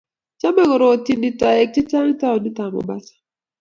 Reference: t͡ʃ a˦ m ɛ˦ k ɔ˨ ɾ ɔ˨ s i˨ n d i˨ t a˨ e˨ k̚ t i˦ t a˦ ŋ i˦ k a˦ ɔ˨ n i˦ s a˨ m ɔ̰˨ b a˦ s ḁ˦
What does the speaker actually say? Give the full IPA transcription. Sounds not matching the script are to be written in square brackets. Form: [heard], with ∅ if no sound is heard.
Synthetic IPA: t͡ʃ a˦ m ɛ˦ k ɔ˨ ɾ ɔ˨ [t] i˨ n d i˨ t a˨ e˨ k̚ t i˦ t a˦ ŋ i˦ [t] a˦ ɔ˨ n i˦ [t] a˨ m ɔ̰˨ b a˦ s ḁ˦